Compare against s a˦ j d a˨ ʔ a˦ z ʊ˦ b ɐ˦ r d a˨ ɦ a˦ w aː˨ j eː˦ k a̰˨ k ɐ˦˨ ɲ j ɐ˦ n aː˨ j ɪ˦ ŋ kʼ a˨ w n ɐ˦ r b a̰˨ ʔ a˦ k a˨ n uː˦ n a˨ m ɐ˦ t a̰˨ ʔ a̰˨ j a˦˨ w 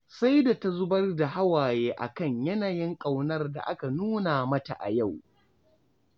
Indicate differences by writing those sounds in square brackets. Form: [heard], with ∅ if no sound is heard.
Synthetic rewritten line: s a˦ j d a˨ [t] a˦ z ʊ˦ b ɐ˦ r d a˨ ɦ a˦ w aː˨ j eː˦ [ʔ] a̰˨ k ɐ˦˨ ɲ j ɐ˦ n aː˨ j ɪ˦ ŋ kʼ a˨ w n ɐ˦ r [d] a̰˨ ʔ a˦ k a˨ n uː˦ n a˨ m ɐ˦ t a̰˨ ʔ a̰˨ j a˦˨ w